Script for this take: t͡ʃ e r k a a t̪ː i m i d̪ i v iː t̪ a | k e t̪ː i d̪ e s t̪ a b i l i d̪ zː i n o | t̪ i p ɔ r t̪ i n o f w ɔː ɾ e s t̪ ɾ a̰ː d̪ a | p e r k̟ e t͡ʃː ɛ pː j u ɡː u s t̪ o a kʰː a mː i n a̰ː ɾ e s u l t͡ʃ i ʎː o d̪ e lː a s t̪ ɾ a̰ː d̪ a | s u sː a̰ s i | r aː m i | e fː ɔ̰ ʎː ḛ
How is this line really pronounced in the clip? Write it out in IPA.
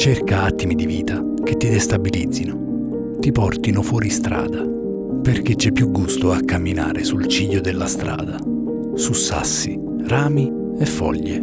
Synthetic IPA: t͡ʃ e r k a a t̪ː i m i d̪ i v iː t̪ a | k e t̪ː i d̪ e s t̪ a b i l i d̪ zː i n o | t̪ i p ɔ r t̪ i n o f w ɔː ɾ i s t̪ ɾ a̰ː d̪ a | p e r k̟ e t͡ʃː ɛ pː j u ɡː u s t̪ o a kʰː a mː i n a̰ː ɾ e s u l t͡ʃ i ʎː o d̪ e lː a s t̪ ɾ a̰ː d̪ a | s u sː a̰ sː i | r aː m i | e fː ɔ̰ ʎː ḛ